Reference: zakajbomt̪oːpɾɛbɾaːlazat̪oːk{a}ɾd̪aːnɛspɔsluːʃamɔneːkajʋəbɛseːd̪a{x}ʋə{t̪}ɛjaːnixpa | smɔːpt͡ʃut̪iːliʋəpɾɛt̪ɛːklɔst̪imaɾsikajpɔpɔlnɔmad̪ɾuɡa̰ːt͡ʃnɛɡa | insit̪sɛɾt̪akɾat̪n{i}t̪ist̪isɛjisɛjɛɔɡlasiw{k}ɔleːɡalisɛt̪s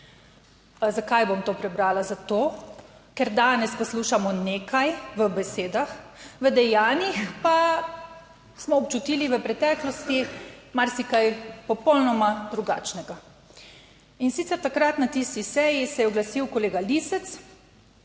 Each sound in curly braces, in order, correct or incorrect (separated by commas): incorrect, correct, incorrect, incorrect, correct